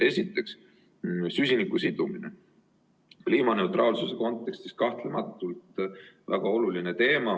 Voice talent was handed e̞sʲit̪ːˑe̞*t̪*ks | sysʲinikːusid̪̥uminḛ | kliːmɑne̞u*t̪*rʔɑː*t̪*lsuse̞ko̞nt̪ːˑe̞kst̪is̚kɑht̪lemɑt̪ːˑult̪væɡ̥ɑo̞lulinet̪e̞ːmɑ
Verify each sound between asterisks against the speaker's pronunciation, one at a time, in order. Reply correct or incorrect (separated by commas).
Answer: incorrect, correct, incorrect